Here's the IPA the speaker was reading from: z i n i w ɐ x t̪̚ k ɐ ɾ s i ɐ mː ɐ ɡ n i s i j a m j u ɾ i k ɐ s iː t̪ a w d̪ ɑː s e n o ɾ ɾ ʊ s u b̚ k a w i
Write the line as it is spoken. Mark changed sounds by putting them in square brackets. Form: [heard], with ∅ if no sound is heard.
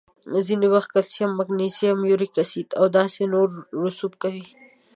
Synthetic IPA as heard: z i n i w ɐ x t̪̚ k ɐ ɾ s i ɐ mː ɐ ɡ n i s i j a m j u ɾ i k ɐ s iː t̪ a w d̪ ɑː s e n o ɾ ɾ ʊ s u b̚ k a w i